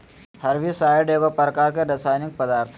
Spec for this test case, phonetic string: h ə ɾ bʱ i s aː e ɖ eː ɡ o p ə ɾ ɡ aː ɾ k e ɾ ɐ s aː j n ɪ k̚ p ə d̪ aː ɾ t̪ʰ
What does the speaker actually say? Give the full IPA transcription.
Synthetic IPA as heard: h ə ɾ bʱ i s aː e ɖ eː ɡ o p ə ɾ k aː ɾ k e ɾ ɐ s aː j n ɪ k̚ p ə d̪ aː ɾ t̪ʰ

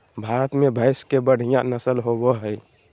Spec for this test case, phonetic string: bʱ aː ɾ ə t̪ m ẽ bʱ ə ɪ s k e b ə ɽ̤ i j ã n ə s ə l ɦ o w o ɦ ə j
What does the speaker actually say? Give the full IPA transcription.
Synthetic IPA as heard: bʱ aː ɾ ə t̪ m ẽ bʱ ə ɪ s k e b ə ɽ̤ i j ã n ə s ə l ɦ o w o ɦ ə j

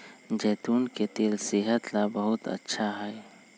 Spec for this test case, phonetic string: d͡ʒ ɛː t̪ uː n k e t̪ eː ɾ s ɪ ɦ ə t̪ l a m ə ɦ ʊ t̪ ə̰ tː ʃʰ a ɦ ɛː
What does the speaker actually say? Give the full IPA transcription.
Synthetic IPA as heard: d͡ʒ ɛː t̪ uː n k e t̪ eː l s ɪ ɦ ə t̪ l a b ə ɦ ʊ t̪ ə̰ tː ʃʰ a ɦ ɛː

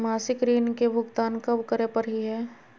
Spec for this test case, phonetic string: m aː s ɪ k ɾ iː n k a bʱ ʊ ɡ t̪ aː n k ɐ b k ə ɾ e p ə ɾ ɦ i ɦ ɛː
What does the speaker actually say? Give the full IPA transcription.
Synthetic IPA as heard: m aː s ɪ k ɾ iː n k e bʱ ʊ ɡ t̪ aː n k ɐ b k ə ɾ e p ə ɾ ɦ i ɦ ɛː

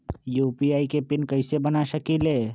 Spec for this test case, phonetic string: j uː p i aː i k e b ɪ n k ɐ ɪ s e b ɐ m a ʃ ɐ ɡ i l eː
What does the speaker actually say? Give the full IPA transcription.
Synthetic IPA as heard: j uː p i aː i k e p ɪ n k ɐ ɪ s e b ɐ n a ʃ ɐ k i l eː

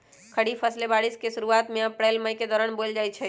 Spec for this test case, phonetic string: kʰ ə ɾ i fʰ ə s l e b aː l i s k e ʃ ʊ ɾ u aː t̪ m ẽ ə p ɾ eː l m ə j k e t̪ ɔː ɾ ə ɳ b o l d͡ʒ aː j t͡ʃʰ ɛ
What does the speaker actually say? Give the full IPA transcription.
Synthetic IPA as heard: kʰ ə ɽ i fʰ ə s l e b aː ɽ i s k e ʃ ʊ ɾ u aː t̪ m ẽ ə p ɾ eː l m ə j k e d̪ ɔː ɾ ə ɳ b o l d͡ʒ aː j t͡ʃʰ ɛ

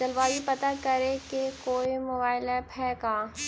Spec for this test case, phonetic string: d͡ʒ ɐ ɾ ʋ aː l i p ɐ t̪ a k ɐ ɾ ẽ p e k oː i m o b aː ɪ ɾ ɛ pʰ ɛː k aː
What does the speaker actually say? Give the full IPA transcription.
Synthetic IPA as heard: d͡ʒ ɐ l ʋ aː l i p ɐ t̪ a k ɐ ɾ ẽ k e k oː i m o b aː ɪ l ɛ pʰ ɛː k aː

